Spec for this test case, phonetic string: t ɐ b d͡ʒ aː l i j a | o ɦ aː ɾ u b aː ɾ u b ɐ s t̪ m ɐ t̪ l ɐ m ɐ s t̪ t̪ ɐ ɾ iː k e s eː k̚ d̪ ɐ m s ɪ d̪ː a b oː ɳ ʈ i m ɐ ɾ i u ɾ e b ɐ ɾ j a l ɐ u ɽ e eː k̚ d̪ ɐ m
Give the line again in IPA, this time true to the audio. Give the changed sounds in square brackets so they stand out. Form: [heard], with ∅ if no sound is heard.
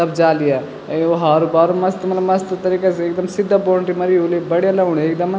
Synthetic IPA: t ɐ b d͡ʒ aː l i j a | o ɦ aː ɾ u b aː ɾ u [m] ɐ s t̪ m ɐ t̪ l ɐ m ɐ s t̪ t̪ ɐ ɾ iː k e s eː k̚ d̪ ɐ m s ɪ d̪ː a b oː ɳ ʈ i m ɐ ɾ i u [l] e b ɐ [ɽ] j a l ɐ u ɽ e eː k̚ d̪ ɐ m